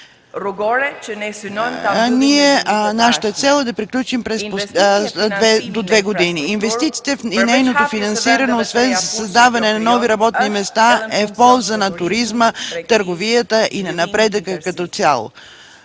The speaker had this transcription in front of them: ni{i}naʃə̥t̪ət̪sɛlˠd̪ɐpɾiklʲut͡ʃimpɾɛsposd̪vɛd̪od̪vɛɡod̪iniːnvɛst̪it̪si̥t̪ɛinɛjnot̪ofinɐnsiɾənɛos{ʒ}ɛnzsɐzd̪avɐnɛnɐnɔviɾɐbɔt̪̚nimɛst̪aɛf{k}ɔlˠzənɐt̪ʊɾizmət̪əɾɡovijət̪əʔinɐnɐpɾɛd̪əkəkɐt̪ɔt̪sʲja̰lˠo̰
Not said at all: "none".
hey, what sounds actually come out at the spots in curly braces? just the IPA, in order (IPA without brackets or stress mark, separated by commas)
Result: ɛ, v, p